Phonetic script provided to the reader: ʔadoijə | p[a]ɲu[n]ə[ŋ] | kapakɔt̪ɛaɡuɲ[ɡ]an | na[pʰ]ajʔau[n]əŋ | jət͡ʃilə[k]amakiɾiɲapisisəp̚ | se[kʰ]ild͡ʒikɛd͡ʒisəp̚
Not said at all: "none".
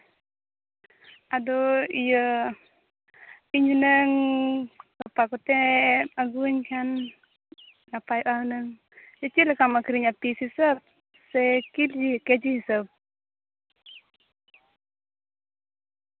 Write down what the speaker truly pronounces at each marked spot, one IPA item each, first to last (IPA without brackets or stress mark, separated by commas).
i, n, ŋ, k, p, n, k, k